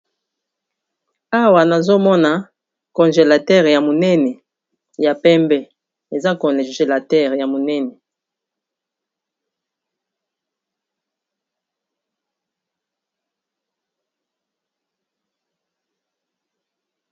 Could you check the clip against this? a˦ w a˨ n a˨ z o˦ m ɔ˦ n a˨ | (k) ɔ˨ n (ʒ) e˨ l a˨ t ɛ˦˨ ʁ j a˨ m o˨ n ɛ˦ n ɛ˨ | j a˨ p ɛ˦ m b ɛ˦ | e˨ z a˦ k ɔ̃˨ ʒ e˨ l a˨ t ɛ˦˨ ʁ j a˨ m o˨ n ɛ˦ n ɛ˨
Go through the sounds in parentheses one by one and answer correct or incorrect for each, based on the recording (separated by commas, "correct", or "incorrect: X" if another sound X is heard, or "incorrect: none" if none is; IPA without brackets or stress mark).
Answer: correct, correct